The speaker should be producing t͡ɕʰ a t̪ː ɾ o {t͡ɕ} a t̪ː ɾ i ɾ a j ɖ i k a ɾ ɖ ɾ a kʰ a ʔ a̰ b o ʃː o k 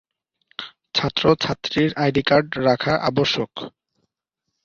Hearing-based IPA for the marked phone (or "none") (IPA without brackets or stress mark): t͡ɕʰ